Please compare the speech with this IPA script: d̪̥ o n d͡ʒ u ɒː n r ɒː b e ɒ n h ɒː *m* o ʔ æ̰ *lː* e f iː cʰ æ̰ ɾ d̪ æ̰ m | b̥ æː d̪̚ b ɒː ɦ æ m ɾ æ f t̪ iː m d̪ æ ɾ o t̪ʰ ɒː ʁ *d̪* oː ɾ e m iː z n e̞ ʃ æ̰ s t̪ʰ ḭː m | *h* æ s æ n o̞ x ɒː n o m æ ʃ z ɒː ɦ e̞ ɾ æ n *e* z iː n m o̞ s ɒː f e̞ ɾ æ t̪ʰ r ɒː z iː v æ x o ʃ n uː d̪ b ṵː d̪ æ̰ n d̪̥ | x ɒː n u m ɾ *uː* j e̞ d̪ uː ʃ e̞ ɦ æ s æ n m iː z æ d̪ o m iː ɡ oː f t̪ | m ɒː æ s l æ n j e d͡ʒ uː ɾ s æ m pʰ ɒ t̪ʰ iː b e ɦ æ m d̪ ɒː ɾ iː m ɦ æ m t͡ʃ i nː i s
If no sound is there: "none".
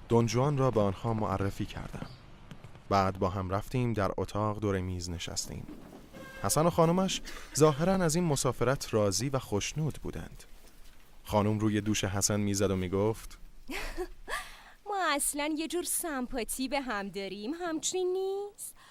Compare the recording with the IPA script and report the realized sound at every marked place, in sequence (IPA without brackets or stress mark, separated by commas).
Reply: m, rː, d̪, h, æ, uː